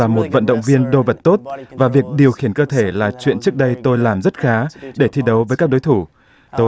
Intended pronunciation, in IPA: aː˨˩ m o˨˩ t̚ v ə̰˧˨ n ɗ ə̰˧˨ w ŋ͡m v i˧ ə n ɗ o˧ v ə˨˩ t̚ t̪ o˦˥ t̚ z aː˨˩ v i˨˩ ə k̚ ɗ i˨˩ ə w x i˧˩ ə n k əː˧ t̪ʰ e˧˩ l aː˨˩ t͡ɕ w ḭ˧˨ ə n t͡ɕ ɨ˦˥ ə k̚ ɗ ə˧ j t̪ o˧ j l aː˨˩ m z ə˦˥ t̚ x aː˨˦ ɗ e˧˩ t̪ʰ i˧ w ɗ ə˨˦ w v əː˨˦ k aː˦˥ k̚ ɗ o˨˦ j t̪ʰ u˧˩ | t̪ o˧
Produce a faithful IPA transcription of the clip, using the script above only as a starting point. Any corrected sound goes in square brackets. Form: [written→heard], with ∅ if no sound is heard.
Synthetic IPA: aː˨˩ m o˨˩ t̚ v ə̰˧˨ n ɗ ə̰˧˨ w ŋ͡m v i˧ ə n ɗ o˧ v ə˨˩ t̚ t̪ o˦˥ t̚ [z→v] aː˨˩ v i˨˩ ə k̚ ɗ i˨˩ ə w x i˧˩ ə n k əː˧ t̪ʰ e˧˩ l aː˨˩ t͡ɕ w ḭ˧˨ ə n t͡ɕ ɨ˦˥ ə k̚ ɗ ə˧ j t̪ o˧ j l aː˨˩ m z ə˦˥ t̚ x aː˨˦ ɗ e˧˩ t̪ʰ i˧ [w→∅] ɗ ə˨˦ w v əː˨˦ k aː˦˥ k̚ ɗ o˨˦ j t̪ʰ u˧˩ | t̪ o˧

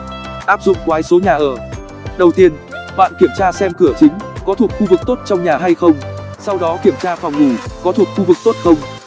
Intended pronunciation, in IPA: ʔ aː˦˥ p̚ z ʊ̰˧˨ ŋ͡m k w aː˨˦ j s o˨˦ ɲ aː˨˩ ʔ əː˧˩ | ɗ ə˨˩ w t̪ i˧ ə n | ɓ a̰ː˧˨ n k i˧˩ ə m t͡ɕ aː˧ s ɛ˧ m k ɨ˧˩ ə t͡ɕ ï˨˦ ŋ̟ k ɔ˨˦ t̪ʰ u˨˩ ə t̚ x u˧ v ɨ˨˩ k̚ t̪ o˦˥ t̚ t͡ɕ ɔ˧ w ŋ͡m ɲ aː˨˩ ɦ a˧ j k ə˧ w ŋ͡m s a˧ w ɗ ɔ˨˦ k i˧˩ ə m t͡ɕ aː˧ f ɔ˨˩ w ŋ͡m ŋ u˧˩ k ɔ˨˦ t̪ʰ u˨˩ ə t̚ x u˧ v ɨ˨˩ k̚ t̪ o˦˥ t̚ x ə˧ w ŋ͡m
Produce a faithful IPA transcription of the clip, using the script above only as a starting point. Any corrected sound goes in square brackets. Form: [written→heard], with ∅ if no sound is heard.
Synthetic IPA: ʔ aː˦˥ p̚ z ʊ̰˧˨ ŋ͡m k w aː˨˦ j s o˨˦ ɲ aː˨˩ ʔ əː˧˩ | ɗ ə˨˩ w t̪ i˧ ə n | ɓ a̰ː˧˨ n k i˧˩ ə m t͡ɕ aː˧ s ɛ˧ m k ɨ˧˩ ə t͡ɕ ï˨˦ ŋ̟ k ɔ˨˦ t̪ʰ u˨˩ ə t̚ x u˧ v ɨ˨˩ k̚ t̪ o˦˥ t̚ t͡ɕ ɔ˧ w ŋ͡m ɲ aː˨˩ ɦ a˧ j [k→x] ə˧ w ŋ͡m s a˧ w ɗ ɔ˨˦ k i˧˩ ə m t͡ɕ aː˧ f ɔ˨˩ w ŋ͡m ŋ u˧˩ k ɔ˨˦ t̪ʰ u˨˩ ə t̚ x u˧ v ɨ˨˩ k̚ t̪ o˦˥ t̚ x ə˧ w ŋ͡m

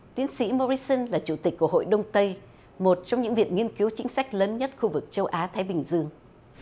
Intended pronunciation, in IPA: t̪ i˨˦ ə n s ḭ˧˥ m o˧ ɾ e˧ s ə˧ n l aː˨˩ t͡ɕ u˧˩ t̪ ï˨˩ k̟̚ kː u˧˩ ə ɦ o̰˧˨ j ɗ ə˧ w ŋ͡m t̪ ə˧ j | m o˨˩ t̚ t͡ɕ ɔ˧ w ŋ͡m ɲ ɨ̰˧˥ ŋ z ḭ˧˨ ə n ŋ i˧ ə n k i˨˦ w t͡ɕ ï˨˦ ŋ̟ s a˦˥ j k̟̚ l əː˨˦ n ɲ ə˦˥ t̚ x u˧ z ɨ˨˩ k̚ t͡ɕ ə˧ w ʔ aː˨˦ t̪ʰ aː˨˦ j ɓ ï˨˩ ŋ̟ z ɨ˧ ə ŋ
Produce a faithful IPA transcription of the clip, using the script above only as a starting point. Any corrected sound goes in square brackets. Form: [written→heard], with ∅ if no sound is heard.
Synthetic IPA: t̪ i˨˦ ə n s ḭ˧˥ m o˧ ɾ [e˧→i˧] s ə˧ n l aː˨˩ t͡ɕ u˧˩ t̪ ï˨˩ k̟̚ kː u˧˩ ə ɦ o̰˧˨ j ɗ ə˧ w ŋ͡m t̪ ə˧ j | m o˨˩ t̚ t͡ɕ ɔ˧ w ŋ͡m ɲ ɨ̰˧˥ ŋ [z→v] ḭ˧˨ ə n ŋ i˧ ə n k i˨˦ w t͡ɕ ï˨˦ ŋ̟ s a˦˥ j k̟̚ l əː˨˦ n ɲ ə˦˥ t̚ x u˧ [z→v] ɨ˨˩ k̚ t͡ɕ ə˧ w ʔ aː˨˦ t̪ʰ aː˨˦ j ɓ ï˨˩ ŋ̟ z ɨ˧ ə ŋ

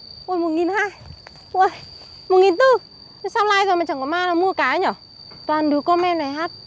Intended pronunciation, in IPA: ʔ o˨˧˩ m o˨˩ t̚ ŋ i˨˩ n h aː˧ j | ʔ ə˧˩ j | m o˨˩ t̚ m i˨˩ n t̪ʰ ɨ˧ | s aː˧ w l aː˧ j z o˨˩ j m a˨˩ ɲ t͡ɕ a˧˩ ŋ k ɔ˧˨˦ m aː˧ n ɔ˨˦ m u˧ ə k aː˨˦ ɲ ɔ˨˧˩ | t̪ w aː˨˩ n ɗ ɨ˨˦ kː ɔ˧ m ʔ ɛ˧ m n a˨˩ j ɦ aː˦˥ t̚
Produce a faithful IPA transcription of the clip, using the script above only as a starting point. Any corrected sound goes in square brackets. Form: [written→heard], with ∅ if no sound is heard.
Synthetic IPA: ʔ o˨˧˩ m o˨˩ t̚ ŋ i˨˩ n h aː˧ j | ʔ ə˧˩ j | m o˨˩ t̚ [m→ŋ] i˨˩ n [t̪ʰ→t̪] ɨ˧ | s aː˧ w l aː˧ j z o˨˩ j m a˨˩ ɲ t͡ɕ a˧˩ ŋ k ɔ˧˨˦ m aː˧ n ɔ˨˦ m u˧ ə k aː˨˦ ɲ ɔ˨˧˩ | t̪ w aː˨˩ n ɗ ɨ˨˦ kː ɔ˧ m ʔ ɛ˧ m n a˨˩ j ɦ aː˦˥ t̚

